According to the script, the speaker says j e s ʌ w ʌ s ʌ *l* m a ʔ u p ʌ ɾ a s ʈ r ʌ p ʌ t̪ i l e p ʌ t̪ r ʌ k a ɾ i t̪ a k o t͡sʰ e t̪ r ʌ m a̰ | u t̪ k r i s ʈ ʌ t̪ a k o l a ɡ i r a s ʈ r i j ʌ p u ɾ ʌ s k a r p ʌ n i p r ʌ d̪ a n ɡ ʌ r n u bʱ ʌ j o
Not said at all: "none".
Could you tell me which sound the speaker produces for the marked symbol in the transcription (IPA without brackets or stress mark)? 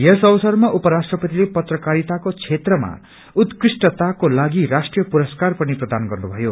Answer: r